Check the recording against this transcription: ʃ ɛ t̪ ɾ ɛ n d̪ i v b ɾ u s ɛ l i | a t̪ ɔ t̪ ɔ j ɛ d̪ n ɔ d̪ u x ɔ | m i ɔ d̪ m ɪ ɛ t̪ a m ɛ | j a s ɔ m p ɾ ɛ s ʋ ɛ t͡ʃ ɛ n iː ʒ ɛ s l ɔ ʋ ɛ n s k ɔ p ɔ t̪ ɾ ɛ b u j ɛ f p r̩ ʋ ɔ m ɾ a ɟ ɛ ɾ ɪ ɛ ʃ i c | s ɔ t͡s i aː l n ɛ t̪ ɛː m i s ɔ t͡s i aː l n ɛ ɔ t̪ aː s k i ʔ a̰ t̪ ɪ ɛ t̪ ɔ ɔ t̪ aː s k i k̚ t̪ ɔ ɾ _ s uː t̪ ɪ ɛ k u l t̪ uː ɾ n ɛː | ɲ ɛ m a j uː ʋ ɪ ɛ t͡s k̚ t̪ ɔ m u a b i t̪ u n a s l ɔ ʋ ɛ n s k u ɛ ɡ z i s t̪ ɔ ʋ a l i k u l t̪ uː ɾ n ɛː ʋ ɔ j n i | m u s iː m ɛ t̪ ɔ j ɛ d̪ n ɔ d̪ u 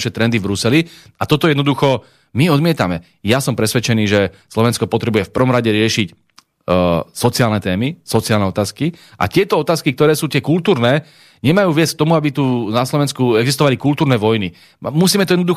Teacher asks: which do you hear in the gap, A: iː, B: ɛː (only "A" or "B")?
B